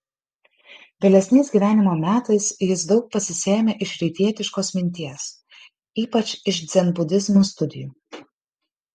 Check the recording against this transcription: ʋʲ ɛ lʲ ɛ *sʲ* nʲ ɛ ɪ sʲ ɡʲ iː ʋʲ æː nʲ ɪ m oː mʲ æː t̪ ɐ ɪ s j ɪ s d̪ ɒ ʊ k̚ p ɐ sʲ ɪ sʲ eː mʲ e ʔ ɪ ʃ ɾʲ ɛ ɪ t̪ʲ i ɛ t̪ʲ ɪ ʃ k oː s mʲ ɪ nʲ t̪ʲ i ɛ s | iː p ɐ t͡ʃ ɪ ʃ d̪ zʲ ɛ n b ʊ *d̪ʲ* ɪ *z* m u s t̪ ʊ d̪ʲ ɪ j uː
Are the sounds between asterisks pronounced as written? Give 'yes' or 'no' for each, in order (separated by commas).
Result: yes, yes, yes